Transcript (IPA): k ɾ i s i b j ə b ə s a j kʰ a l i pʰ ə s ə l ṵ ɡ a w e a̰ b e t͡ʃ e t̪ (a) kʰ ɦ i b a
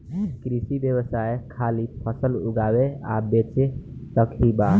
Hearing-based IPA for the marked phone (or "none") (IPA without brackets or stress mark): ə